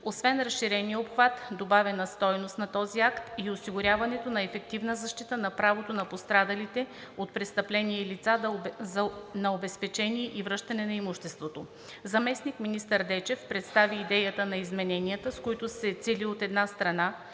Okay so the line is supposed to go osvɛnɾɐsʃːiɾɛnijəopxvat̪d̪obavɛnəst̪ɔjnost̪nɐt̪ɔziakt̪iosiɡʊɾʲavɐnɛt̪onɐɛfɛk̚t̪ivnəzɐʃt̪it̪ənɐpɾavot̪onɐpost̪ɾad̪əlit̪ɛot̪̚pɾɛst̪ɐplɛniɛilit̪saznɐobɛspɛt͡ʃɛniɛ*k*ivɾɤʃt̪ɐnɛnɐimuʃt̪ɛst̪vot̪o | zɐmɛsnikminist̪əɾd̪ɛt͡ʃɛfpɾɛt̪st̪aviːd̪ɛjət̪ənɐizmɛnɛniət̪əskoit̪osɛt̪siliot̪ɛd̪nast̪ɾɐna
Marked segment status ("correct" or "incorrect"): incorrect